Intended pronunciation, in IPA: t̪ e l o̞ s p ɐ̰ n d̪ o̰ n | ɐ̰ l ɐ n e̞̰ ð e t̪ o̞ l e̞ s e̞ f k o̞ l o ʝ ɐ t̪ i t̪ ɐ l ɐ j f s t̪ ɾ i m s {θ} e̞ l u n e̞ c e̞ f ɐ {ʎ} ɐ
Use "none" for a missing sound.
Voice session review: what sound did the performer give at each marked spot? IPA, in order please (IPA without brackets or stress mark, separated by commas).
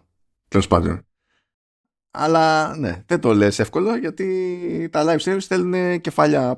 θ, ʎ